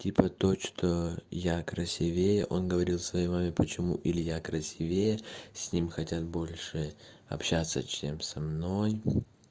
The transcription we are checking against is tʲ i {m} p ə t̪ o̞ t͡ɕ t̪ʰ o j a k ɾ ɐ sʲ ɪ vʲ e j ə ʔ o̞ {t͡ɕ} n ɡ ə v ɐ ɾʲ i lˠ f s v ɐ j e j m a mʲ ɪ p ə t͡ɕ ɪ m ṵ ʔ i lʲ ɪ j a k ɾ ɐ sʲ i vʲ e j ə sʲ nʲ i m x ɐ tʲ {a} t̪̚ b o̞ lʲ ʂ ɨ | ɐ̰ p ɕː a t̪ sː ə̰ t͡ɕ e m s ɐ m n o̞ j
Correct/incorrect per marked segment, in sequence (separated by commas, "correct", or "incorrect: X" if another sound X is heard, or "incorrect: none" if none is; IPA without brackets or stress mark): incorrect: none, incorrect: none, correct